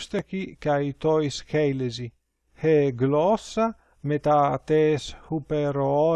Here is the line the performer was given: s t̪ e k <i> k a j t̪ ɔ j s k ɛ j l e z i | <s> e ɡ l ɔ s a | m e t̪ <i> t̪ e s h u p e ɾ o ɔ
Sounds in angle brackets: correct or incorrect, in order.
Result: correct, incorrect: h, incorrect: a

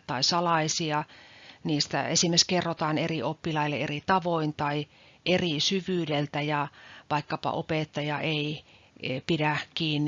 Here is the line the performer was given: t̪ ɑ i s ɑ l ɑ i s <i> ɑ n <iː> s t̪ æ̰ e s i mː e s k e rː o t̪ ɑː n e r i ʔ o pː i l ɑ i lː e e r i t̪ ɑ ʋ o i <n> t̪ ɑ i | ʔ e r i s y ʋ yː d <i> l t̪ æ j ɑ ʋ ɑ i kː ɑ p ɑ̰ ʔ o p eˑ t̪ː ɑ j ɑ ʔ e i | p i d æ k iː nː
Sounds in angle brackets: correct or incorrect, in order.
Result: correct, correct, correct, incorrect: e

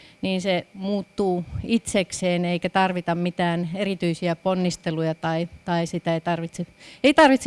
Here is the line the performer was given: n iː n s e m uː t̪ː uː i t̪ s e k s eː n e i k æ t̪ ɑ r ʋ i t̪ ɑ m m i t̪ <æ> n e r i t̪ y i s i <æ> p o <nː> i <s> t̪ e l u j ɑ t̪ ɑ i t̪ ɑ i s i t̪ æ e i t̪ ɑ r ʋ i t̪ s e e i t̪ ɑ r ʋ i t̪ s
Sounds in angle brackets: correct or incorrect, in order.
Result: incorrect: æː, correct, correct, correct

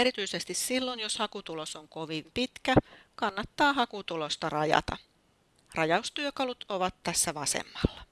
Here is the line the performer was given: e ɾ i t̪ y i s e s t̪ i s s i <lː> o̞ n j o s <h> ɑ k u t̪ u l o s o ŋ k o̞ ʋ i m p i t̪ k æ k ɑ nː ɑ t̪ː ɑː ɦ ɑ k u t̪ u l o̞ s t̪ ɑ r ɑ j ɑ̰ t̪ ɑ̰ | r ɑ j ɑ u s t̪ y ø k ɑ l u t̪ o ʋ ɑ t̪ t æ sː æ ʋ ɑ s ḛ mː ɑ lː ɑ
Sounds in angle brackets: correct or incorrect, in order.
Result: correct, correct

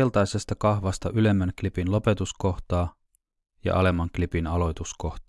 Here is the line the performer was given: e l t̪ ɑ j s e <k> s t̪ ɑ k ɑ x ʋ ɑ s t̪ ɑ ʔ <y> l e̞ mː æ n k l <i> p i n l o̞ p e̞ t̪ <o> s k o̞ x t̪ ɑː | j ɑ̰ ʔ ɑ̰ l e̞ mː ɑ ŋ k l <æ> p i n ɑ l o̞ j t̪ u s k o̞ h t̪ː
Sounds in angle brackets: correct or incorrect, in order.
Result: incorrect: none, correct, correct, incorrect: u, incorrect: i

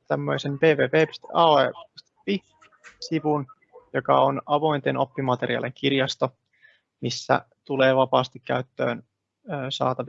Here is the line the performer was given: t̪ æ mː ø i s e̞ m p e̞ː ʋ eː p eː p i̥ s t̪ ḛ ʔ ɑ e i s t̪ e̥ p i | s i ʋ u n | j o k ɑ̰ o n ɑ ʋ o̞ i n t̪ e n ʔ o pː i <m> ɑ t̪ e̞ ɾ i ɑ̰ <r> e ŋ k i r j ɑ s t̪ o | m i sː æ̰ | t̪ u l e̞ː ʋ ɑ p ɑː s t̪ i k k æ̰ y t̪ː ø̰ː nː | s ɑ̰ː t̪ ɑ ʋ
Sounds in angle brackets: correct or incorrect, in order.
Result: correct, incorrect: l

